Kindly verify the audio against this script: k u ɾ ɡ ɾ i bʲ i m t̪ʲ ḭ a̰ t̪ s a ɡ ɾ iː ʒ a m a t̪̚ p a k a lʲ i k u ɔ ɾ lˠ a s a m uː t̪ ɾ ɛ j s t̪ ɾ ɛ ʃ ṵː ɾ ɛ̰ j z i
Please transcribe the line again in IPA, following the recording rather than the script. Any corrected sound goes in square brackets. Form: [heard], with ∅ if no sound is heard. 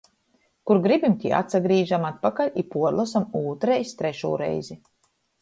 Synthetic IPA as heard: k u ɾ ɡ ɾ i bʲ i m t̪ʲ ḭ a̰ t̪ s a ɡ ɾ iː ʒ a m a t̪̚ p a k a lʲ i [p] u ɔ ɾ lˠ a s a m uː t̪ ɾ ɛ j s t̪ ɾ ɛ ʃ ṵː ɾ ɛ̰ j z i